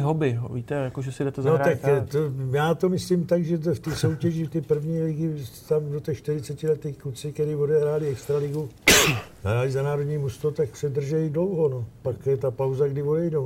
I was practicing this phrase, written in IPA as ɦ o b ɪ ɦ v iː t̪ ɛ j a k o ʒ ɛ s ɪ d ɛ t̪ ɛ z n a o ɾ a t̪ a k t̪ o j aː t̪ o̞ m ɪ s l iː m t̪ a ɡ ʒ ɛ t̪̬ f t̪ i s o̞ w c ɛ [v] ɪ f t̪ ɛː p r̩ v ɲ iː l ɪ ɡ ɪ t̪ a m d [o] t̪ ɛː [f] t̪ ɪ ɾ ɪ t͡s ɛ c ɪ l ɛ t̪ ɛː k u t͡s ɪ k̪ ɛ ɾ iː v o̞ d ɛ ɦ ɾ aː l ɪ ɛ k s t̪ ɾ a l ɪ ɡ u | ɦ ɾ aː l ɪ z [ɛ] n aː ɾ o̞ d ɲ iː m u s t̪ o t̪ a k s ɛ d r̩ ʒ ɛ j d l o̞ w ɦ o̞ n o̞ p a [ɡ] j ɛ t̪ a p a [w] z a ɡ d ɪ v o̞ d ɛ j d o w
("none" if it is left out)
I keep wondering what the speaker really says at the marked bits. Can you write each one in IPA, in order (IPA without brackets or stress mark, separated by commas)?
ʒ, o, ʃ, a, k, w